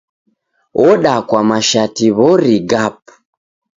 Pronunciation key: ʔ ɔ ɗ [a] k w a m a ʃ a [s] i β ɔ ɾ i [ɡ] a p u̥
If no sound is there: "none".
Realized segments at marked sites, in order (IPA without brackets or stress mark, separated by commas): a, t, ɡ